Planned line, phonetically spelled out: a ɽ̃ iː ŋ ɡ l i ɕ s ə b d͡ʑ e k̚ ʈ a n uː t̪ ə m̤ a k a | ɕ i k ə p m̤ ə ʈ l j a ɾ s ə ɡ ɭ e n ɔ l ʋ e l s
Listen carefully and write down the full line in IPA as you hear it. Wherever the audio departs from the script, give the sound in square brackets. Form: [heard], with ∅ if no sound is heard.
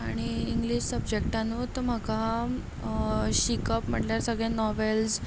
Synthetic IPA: a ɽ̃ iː ŋ ɡ l i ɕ s ə b d͡ʑ e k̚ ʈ a n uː t̪ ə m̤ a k a | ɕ i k ə p m̤ ə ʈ l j a ɾ s ə ɡ ɭ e n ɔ [∅] ʋ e l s